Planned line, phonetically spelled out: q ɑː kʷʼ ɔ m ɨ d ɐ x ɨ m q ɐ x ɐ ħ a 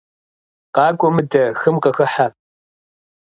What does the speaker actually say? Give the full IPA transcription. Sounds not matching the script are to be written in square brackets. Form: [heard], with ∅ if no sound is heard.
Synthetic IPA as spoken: q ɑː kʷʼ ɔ m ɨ d ɐ x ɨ m q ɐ x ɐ ħ a